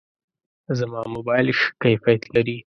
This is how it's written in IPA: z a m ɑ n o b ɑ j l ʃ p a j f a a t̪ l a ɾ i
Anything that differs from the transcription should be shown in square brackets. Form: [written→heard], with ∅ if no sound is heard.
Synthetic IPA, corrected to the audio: z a m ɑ [n→m] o b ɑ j l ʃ [p→k] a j f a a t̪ l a ɾ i